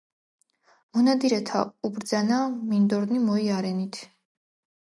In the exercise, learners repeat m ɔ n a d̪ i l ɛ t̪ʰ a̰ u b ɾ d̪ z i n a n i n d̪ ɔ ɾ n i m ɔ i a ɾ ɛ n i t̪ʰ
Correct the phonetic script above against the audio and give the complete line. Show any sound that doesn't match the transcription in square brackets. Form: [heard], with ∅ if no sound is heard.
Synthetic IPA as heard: m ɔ n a d̪ i [ɾ] ɛ t̪ʰ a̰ u b ɾ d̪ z [a] n a [m] i n d̪ ɔ ɾ n i m ɔ i a ɾ ɛ n i t̪ʰ